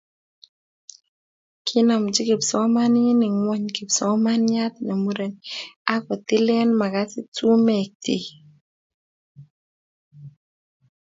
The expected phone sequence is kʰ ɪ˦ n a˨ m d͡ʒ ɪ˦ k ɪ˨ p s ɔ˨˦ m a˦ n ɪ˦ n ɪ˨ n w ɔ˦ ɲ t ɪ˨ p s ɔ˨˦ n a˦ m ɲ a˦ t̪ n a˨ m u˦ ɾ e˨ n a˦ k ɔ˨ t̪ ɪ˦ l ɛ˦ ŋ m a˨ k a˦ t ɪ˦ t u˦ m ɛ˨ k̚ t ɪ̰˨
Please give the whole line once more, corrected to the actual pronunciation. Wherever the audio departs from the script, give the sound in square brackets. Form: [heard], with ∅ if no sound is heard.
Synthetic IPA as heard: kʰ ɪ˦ n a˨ m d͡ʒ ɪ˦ k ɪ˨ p s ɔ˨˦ m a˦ n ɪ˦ n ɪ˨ [ŋ] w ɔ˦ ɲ [k] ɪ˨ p s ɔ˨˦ [m] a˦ [n] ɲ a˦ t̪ n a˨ m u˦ ɾ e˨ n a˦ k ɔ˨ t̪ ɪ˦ l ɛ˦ [n] m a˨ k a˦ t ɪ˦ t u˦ m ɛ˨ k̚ t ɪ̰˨